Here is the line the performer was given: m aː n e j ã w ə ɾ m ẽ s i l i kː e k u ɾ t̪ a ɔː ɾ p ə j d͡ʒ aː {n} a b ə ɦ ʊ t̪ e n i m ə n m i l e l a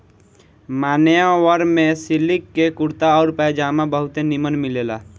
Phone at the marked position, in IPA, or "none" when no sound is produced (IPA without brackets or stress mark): m